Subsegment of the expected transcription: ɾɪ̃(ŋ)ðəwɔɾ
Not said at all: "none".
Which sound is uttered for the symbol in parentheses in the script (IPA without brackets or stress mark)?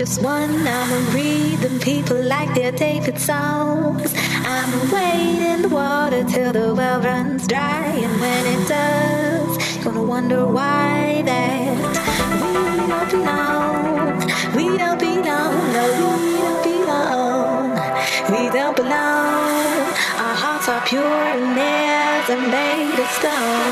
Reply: n